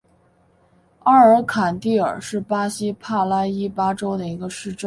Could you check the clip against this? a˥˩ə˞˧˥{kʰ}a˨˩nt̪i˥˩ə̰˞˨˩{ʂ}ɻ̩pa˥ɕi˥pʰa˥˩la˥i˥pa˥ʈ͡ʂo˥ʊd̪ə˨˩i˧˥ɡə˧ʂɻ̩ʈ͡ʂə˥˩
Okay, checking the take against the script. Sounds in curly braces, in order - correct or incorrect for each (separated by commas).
correct, correct